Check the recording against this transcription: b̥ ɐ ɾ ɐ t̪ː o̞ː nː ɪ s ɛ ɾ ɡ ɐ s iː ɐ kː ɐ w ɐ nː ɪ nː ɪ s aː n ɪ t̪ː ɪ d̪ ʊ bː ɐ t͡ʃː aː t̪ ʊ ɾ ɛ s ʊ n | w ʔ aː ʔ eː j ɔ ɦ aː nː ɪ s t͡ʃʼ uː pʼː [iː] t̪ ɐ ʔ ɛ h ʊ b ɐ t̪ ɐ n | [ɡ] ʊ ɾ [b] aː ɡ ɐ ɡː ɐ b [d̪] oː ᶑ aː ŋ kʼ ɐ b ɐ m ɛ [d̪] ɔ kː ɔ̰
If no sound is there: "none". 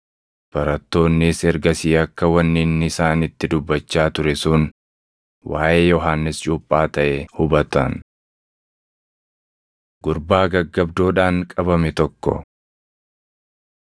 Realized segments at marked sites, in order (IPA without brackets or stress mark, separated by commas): aː, ɡ, b, d̪, t̪